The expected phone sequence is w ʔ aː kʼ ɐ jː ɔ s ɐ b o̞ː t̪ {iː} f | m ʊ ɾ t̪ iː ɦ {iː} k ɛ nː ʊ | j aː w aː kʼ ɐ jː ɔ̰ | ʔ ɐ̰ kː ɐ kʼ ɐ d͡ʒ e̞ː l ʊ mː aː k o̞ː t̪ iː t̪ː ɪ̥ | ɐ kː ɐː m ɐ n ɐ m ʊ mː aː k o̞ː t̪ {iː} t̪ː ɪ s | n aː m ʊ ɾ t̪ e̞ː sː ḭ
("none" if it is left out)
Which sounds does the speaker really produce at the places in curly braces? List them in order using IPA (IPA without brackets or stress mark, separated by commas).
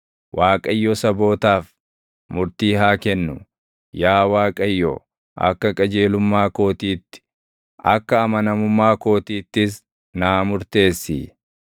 aː, aː, iː